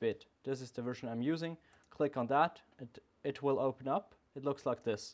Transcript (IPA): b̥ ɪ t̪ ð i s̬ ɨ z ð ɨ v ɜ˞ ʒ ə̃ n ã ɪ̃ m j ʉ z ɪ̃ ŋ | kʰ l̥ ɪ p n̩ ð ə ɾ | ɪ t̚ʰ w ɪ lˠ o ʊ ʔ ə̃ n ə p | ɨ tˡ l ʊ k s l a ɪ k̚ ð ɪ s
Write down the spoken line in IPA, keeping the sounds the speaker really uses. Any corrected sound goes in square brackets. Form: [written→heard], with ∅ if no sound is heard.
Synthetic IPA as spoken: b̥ ɪ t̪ ð [i→ɪ] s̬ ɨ z ð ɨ v ɜ˞ ʒ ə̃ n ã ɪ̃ m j ʉ z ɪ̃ ŋ | kʰ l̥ ɪ [p→k] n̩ ð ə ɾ | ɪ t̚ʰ w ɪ lˠ o ʊ [ʔ→p] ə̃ n [ə→ʌ] p | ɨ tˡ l ʊ k s l a ɪ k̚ ð ɪ s